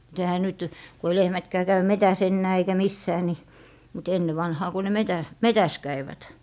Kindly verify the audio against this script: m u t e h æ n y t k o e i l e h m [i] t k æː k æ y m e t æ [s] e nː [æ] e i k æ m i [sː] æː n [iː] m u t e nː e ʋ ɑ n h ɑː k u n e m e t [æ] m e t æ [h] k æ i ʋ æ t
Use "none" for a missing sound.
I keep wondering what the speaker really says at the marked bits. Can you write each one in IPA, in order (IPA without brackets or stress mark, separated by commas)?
æ, s, æː, sː, i, æ, s